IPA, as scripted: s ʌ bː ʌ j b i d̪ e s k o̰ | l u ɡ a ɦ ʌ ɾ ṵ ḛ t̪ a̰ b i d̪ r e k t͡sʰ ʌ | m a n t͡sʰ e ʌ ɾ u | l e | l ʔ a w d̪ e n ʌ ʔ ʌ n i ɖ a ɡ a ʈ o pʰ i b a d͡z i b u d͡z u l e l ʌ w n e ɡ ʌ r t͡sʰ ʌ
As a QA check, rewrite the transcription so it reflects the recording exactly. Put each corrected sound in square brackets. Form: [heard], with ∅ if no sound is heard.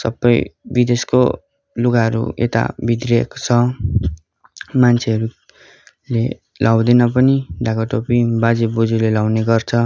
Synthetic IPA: s ʌ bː ʌ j b i d̪ e s k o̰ | l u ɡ a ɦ ʌ ɾ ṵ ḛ t̪ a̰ b i d̪ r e k t͡sʰ ʌ | m a n t͡sʰ e ʌ ɾ u | l e | l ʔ a w d̪ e n ʌ [p] ʌ n i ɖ a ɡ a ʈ o [p] i b a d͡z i b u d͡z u l e l [a] w n e ɡ ʌ r t͡sʰ ʌ